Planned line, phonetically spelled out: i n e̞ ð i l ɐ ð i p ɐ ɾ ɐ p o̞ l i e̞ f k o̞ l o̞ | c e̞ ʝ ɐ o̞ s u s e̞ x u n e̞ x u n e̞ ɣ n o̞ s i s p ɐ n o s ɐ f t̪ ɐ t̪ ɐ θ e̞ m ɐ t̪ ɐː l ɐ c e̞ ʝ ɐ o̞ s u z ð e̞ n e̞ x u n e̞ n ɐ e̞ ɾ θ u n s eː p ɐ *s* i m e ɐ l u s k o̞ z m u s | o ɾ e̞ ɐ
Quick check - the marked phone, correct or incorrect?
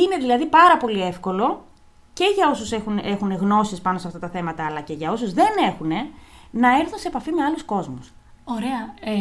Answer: incorrect